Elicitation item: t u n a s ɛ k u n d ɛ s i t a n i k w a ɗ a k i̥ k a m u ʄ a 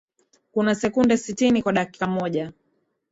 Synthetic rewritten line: k u n a s ɛ k u n d ɛ s i t i n i k w a ɗ a k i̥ k a m ɔ ʄ a